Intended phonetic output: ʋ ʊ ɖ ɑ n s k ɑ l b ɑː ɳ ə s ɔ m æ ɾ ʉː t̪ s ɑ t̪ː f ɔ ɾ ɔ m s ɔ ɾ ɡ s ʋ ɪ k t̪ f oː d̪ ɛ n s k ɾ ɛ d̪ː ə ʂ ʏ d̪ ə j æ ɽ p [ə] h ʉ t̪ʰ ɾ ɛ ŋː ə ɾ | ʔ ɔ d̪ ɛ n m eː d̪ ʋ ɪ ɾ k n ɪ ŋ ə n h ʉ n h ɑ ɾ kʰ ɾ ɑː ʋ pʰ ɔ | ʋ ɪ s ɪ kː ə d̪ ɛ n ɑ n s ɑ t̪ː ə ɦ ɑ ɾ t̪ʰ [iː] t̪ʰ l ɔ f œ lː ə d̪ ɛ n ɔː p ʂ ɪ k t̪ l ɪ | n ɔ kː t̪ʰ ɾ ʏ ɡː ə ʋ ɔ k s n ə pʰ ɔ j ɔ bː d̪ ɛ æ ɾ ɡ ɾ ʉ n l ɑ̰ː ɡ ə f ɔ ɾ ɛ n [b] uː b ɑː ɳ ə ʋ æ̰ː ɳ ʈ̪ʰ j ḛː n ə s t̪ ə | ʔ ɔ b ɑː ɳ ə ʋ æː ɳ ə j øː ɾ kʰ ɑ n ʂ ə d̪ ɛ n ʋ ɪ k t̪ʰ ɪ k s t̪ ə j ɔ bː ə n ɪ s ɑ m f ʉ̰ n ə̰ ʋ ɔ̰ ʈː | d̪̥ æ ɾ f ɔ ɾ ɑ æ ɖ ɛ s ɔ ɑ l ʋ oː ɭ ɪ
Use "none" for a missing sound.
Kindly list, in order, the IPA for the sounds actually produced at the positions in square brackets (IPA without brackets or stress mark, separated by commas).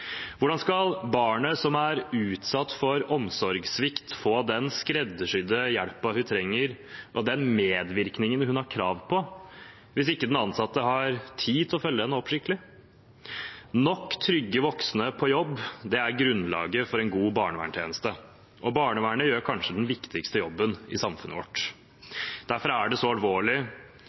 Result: ɑ, iː, ɡ